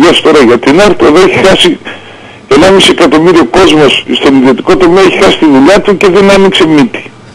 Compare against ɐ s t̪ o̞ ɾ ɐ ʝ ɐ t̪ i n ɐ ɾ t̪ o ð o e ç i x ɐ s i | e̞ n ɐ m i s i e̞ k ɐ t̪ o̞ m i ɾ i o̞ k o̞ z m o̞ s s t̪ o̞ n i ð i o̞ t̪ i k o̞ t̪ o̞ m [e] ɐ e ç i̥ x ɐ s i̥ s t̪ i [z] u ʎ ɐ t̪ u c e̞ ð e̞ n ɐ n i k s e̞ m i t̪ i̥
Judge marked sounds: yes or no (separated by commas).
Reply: yes, no